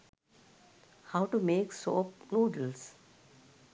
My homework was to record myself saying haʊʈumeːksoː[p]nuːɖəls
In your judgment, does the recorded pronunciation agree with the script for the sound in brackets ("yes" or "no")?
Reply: yes